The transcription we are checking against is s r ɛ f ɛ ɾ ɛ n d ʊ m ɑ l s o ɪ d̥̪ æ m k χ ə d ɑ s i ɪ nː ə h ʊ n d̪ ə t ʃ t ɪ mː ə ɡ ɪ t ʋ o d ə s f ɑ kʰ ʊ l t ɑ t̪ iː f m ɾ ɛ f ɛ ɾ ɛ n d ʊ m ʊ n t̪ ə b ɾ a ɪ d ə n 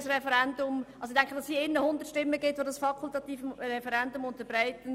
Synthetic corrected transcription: s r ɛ f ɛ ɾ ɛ n d ʊ m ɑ l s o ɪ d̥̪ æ ŋ k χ ə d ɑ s i ɪ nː ə h ʊ n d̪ ə t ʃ t ɪ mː ə ɡ ɪ t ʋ o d ɑ s f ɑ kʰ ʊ l t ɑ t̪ iː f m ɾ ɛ f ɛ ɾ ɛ n d ʊ m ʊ n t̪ ə b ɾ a ɪ t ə n

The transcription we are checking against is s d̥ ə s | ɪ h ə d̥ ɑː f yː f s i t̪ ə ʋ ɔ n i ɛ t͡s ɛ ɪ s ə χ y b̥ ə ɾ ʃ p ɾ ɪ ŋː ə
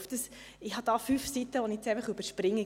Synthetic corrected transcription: f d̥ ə s | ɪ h ɑ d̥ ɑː f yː f s i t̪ ə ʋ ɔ n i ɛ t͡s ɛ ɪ f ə χ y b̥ ə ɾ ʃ p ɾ ɪ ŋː ə

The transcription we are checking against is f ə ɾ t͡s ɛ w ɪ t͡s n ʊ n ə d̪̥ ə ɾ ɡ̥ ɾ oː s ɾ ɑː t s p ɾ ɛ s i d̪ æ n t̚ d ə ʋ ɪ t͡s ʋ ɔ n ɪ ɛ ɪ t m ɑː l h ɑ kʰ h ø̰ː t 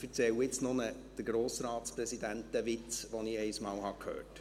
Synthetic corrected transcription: f ə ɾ t͡s ɛ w ɪ t͡s n ʊ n ə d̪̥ ə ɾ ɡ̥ ɾ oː s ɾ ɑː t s p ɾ ɛ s i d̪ æ n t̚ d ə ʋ ɪ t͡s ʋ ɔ n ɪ ɛ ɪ s m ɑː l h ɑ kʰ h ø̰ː t

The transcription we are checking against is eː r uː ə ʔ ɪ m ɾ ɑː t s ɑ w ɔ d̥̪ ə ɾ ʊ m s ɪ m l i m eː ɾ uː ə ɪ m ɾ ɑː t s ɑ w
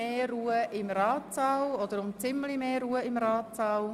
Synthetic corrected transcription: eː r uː ə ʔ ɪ m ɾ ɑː t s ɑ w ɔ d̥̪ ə ɾ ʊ m t͡s ɪ m l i m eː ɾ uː ə ɪ m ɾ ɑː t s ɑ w

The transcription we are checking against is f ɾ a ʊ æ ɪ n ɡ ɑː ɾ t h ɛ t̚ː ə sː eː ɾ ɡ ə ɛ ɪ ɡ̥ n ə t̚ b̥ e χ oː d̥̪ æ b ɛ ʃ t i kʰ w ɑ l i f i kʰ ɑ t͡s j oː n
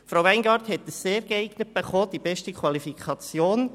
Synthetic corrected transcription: f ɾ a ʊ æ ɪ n ɡ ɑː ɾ t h ɛ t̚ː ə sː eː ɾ ɡ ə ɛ ɪ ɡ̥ n ə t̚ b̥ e χ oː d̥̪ i b ɛ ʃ t i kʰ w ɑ l i f i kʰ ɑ t͡s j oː n

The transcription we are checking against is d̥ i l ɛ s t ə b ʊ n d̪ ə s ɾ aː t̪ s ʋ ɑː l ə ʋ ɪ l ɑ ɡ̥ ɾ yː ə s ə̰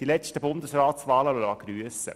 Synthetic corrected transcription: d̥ i l ɛ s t ə b ʊ n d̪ ə s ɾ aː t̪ s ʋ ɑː l ə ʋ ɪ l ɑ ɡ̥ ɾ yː ə s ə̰

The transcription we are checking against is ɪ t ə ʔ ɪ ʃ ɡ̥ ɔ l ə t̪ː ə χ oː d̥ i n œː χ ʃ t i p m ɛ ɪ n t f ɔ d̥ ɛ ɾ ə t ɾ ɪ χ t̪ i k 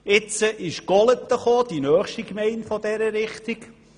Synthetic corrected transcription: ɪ t͡s ə ʔ ɪ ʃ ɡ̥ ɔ l ə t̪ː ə χ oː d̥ i n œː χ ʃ t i k m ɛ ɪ n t f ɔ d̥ ɛ ɾ ə ɾ ɪ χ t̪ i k

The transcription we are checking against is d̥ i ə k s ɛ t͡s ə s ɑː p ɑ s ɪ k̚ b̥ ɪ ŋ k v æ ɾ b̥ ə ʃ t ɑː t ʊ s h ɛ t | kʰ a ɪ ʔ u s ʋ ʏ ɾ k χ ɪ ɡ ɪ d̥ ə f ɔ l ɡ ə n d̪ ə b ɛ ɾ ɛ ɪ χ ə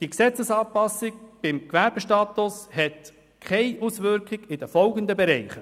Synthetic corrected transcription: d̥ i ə k s ɛ t͡s ə s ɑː p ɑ s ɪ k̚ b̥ ɪ m k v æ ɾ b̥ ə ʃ t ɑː t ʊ s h ɛ t | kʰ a ɪ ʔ u s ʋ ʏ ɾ k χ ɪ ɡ ɪ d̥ ə f ɔ l ɡ ə n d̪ ə b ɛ ɾ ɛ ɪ χ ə

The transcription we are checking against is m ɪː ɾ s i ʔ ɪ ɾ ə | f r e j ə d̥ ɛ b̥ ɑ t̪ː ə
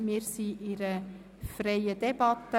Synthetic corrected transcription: m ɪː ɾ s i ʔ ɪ ɾ ə | f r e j ə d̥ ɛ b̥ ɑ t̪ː ə

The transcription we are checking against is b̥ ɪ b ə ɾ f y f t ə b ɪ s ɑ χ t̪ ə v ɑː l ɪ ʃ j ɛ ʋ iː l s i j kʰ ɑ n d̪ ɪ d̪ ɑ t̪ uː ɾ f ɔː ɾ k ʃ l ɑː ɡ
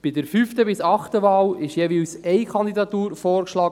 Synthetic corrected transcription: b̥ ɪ d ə ɾ f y f t ə b ɪ s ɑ χ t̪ ə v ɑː l ɪ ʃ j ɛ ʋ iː l s ɛ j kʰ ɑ n d̪ i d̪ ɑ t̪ uː ɾ f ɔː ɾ k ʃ l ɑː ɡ

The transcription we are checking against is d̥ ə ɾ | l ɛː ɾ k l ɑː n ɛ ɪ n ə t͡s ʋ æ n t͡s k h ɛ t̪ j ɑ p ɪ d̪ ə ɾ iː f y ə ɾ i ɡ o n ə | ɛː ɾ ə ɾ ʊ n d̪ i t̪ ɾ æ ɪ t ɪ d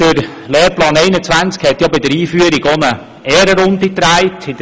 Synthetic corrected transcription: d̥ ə ɾ | l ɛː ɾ p l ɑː n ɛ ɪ n ə t͡s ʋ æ n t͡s k h ɛ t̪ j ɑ b ɪ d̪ ə ɾ iː f y ə ɾ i ɡ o n ə | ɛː ɾ ə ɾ ʊ n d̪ i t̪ ɾ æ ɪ t ɪ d

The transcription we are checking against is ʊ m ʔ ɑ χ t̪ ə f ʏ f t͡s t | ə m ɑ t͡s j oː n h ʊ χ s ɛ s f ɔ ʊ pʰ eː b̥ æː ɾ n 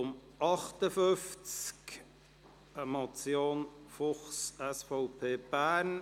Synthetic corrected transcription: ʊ m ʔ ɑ χ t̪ ə f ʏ f t͡s k | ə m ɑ t͡s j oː n f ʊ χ s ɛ s f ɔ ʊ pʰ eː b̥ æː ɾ n

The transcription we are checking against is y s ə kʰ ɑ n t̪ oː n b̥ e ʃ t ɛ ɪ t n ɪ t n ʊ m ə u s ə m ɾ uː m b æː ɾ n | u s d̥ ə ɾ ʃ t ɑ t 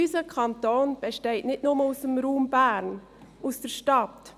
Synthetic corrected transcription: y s ə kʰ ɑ n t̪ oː n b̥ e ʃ t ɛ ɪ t n ɪ t n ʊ m ə u s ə m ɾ uː m b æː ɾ n | u s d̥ ə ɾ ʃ t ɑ t

